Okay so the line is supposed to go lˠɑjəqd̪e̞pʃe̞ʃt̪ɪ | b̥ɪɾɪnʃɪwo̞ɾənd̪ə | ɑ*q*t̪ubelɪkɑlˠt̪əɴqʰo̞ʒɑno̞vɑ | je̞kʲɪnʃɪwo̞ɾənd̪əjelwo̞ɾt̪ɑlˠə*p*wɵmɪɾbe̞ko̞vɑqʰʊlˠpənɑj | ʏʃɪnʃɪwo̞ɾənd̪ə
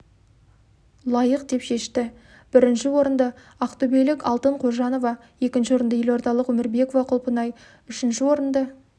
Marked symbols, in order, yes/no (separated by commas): yes, no